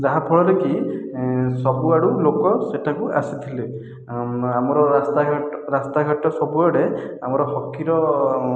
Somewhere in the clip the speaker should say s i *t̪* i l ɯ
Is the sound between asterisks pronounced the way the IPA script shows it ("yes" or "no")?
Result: no